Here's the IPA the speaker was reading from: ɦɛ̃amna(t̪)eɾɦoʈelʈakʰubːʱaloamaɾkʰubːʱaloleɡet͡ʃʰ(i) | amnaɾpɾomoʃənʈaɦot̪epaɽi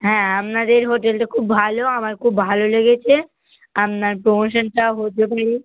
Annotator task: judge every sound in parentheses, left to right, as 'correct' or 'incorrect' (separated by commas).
incorrect, incorrect